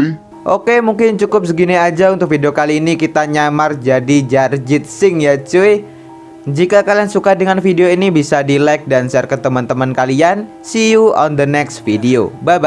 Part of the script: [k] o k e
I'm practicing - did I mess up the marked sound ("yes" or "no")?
yes